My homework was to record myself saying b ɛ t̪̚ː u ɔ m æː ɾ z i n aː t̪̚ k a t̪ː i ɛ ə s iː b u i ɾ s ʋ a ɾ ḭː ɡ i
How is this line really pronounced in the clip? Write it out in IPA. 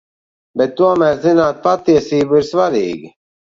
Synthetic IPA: b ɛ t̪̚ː u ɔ m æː ɾ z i n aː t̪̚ p a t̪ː i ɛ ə s iː b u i ɾ s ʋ a ɾ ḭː ɡ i